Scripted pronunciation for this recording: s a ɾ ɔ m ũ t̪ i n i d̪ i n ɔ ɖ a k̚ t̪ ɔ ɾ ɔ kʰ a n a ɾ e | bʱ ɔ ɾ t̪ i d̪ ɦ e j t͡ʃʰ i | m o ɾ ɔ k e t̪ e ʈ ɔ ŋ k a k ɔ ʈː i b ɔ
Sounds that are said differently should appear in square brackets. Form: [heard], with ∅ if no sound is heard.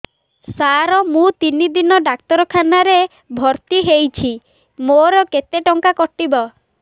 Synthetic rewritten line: s a ɾ ɔ m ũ t̪ i n i d̪ i n ɔ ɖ a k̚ t̪ ɔ ɾ ɔ kʰ a n a ɾ e | bʱ ɔ ɾ t̪ i [∅] ɦ e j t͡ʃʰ i | m o ɾ ɔ k e t̪ e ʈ ɔ ŋ k a k ɔ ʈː i b ɔ